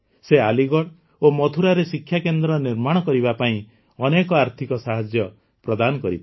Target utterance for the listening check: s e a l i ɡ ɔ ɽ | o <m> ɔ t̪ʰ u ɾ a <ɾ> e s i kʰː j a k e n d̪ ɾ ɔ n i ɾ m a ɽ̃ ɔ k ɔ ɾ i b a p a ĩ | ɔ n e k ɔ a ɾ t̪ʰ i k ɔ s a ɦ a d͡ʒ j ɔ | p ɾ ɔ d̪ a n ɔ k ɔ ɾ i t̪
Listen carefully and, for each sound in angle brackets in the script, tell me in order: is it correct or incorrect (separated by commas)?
correct, correct